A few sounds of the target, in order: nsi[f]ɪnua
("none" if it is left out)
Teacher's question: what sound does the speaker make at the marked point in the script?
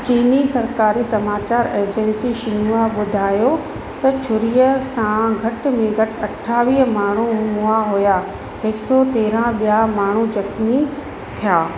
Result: ʃ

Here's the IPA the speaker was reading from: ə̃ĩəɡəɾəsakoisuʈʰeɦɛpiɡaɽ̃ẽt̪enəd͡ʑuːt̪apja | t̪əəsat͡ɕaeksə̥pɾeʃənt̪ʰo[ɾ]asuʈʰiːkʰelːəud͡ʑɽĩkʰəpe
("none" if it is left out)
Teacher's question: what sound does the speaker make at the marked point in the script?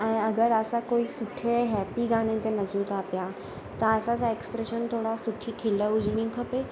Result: ɽ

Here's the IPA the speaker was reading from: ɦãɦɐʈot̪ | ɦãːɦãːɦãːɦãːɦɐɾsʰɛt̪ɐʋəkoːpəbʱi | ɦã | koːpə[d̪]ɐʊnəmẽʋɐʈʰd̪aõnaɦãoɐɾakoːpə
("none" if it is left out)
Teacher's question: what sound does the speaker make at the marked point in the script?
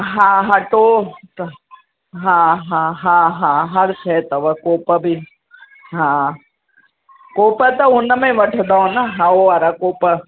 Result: t̪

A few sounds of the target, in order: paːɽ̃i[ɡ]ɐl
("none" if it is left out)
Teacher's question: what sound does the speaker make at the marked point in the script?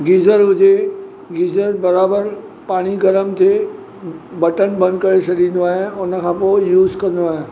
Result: ɡ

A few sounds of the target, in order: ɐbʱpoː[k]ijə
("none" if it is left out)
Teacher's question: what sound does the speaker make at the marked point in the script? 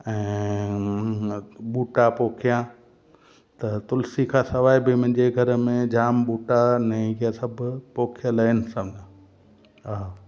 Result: kʰ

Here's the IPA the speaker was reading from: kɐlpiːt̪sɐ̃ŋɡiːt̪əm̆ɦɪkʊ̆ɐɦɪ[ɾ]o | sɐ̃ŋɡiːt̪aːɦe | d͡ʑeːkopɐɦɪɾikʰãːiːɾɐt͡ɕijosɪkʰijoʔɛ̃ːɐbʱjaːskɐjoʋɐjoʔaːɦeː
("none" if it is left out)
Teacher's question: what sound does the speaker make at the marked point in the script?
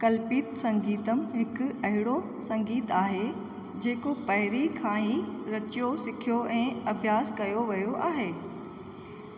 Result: ɽ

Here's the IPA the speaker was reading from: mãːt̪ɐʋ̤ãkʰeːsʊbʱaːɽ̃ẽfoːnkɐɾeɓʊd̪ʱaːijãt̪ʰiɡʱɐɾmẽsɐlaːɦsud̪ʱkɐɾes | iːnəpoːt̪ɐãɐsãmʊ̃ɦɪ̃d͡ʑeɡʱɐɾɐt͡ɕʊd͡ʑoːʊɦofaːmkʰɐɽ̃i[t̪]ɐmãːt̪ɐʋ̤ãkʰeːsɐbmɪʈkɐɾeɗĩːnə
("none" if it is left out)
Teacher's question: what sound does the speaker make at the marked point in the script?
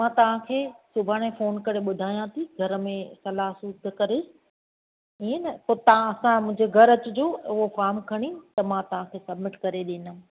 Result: t̪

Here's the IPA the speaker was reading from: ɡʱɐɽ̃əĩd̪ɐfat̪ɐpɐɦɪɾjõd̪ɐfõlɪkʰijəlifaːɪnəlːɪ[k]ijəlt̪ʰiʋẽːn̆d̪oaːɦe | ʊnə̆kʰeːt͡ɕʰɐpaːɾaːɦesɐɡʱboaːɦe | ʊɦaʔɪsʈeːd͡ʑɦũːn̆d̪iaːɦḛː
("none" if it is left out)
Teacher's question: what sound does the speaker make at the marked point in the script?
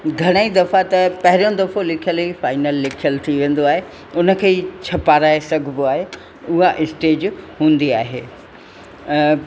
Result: kʰ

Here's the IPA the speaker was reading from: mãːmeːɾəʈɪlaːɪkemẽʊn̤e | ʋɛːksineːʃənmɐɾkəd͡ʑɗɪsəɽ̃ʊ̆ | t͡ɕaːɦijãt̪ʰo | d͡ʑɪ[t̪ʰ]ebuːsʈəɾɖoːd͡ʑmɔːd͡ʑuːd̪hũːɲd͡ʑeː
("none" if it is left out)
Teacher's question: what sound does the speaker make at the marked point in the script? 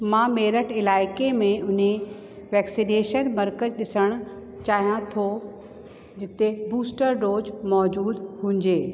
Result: t̪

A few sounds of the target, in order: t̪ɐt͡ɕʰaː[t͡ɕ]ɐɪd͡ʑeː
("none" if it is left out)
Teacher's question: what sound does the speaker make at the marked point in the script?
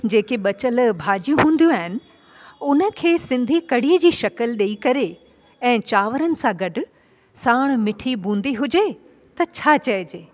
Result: t͡ɕ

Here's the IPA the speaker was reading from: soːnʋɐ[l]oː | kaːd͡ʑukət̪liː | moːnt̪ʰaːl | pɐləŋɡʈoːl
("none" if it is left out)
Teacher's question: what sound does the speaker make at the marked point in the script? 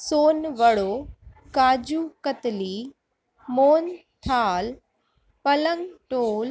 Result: ɽ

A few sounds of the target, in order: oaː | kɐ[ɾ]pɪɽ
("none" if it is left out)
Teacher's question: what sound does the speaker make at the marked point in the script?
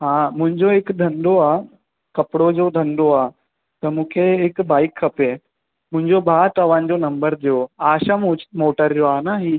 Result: none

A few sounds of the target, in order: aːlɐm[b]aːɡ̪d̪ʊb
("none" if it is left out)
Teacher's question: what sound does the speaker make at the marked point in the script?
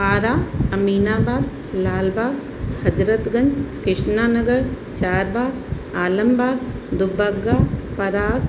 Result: b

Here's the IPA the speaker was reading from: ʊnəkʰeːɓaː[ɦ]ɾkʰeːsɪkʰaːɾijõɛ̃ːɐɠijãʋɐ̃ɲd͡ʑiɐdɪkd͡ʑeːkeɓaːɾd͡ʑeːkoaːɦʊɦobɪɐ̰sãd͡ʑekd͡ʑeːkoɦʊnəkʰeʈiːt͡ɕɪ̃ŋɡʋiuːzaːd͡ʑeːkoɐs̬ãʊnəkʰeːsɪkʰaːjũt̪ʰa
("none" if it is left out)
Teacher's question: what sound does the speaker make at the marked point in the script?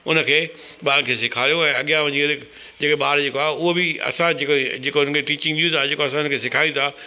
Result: none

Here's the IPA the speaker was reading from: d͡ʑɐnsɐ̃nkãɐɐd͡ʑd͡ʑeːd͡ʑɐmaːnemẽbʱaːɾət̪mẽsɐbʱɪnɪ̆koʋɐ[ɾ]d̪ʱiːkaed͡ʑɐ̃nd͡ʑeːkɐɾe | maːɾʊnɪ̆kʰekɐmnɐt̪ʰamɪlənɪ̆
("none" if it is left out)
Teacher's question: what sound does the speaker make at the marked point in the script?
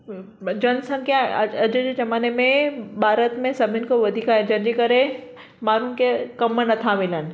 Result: none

